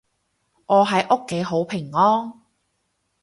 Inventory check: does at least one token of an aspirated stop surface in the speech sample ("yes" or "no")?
yes